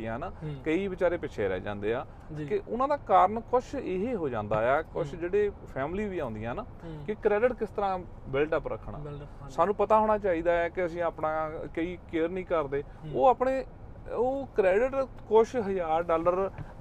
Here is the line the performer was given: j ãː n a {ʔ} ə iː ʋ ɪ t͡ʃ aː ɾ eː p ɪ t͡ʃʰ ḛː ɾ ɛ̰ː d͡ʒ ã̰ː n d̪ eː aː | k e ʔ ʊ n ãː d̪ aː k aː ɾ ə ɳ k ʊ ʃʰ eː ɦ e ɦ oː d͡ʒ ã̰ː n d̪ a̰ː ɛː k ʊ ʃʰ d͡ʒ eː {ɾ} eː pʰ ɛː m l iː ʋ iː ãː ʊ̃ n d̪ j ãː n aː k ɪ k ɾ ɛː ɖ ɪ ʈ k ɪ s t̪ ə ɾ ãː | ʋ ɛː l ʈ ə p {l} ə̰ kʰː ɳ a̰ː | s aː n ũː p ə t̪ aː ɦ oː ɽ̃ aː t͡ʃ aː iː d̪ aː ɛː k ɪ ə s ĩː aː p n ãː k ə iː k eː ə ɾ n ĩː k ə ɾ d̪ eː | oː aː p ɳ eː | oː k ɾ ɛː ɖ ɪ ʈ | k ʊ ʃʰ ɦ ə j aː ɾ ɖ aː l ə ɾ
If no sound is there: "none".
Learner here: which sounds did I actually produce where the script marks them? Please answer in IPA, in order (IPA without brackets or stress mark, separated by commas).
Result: k, ɽ, ɾ